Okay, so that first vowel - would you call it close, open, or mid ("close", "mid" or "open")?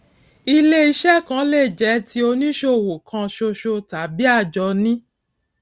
close